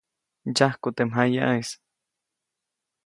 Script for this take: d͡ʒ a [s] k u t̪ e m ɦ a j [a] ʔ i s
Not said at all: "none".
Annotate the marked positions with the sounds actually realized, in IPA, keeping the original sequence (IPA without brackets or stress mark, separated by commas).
h, a